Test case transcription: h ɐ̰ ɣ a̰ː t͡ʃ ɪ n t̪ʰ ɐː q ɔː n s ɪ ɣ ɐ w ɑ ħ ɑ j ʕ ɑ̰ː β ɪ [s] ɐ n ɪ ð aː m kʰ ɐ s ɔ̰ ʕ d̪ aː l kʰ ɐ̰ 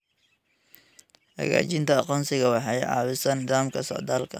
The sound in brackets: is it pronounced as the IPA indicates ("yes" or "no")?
yes